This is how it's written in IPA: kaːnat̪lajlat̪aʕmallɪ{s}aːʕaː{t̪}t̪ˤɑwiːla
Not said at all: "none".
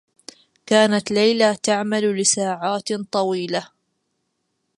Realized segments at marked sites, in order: s, t̪

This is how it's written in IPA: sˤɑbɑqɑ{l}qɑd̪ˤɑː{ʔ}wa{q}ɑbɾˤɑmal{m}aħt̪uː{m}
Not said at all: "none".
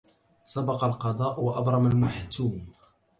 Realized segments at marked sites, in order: l, ʔ, ʔ, m, m

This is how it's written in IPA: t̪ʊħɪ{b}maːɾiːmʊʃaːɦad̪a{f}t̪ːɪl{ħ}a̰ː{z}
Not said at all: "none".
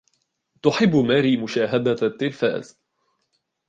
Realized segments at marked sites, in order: bː, none, f, z

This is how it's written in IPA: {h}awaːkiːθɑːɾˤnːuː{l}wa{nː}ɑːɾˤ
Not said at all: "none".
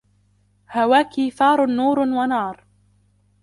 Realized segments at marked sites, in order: h, ɾ, n

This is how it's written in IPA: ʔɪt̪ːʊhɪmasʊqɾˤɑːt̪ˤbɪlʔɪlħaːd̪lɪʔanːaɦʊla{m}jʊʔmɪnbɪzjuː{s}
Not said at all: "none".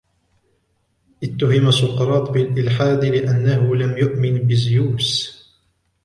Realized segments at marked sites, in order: m, s

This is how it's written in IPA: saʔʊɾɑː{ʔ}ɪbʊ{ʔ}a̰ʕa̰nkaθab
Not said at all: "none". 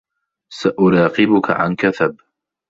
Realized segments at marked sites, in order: q, k

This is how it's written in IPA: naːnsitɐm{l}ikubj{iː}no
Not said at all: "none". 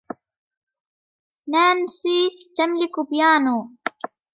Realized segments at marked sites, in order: l, aː

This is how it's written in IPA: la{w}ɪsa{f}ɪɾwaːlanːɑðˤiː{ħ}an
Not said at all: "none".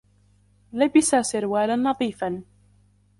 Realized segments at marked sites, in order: b, s, f

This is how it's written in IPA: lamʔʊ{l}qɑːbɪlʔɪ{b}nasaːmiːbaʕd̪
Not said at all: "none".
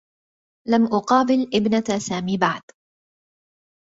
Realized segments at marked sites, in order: none, b

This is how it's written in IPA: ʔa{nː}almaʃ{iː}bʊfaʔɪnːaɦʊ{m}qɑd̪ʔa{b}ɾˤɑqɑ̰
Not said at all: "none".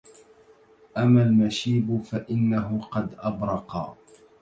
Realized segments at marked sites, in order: mː, iː, none, b

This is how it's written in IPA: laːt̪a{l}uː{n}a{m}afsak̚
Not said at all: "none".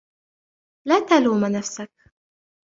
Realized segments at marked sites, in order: l, m, n

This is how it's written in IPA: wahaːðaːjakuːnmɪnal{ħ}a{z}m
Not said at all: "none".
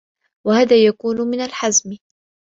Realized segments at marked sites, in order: ħ, z

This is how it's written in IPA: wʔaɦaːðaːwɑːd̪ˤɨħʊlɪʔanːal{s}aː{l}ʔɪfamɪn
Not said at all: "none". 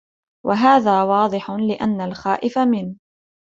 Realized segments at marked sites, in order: x, none

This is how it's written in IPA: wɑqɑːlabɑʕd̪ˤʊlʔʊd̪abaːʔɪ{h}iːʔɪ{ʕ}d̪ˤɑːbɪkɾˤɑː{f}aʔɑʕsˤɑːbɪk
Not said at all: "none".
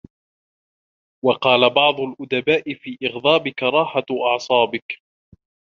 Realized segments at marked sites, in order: f, ɣ, ħ

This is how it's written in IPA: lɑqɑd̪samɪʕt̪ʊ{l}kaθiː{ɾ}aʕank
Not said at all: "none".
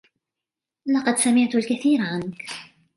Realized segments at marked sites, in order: l, ɾ

